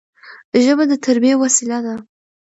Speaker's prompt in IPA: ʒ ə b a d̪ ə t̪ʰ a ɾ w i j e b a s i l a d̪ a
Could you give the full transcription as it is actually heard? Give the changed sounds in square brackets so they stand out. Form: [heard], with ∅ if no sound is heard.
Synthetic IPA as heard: ʒ ə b a d̪ ə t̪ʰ a ɾ [b] i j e [w] a s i l a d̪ a